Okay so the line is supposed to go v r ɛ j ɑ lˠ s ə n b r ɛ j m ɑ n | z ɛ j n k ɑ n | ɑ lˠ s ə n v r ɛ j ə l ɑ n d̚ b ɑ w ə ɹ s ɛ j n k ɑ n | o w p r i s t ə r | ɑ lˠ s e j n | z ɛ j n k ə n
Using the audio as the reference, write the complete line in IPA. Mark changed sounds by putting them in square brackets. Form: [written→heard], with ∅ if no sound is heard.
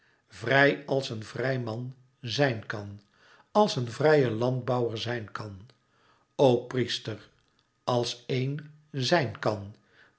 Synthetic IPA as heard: v r ɛ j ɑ lˠ s ə n [b→v] r ɛ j m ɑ n | z ɛ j n k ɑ n | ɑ lˠ s ə n v r ɛ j ə l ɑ n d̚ b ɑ w ə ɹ [s→z] ɛ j n k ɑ n | o w p r i s t ə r | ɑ lˠ s e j n | z ɛ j n k [ə→ɑ] n